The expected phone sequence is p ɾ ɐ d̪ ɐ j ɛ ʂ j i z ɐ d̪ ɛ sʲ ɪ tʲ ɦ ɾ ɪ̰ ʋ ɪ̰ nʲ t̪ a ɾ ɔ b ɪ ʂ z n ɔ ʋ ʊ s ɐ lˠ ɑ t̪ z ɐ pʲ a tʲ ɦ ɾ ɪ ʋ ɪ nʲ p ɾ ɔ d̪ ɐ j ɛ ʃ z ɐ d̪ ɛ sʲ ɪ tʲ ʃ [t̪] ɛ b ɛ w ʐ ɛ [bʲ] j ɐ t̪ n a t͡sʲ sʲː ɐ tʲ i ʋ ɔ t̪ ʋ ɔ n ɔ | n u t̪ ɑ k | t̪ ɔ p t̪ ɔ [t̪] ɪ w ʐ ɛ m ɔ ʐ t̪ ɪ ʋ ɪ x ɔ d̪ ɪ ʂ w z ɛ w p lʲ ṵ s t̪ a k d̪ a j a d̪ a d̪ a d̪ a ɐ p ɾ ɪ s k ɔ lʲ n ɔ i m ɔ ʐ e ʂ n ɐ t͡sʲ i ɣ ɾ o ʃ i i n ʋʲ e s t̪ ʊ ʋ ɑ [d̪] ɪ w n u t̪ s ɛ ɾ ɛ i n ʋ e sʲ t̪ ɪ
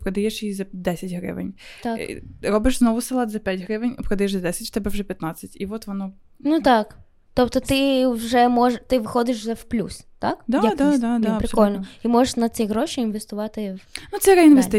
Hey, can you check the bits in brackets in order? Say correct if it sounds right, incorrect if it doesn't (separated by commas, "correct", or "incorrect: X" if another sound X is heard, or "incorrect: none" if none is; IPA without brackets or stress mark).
correct, incorrect: pʲ, correct, incorrect: t̪